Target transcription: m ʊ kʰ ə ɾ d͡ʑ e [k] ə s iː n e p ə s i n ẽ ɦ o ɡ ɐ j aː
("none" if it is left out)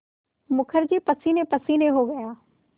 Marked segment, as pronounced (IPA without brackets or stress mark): p